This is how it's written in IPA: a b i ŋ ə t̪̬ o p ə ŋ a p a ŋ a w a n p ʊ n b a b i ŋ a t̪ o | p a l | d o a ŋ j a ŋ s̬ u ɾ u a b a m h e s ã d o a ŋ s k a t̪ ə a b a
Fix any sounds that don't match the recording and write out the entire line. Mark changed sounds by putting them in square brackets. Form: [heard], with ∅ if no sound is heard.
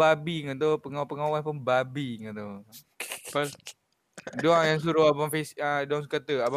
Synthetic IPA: a b i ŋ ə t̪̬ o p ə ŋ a p [ə] ŋ a w a n p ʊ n b a b i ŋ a t̪ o | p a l | d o a ŋ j a ŋ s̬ u ɾ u a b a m [f] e s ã d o a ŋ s k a t̪ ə a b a